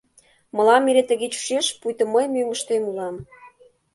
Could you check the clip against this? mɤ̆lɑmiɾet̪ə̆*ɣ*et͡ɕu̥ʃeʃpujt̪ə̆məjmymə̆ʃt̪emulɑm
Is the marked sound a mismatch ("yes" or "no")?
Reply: no